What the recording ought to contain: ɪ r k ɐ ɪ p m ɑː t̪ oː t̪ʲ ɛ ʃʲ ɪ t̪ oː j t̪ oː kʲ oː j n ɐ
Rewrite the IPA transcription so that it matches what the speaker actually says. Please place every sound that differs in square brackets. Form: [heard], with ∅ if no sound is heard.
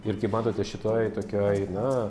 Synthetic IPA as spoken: ɪ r k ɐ ɪ p m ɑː t̪ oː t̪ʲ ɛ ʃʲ ɪ t̪ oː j t̪ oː kʲ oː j n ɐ